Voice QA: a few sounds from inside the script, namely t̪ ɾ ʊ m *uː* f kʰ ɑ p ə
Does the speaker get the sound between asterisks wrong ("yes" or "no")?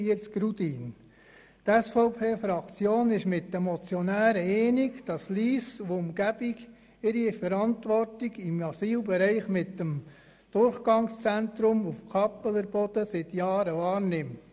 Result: yes